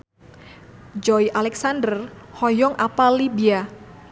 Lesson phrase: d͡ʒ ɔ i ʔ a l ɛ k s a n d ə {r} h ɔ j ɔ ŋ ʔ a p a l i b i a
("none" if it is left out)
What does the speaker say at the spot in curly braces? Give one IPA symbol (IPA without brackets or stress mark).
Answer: r